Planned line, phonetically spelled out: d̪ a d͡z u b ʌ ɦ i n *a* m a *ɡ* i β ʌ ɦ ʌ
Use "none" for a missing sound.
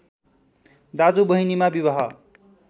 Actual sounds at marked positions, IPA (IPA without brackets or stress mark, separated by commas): i, b